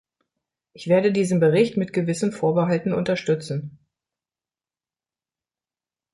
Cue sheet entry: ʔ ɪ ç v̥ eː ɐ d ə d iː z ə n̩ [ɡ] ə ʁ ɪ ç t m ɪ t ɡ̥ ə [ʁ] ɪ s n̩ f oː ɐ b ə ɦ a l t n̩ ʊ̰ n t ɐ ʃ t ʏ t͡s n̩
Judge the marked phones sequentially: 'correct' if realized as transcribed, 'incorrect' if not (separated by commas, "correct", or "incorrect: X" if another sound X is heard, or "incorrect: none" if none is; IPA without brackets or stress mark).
incorrect: b, incorrect: v